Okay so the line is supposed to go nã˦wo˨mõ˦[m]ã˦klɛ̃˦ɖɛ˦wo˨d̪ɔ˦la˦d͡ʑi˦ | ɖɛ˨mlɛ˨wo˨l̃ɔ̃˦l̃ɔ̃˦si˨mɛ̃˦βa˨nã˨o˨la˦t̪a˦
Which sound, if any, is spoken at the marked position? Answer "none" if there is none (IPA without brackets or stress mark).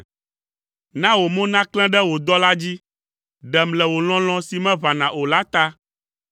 n